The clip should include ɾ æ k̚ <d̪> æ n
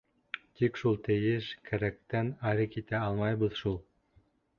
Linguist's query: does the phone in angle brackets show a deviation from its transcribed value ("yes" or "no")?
yes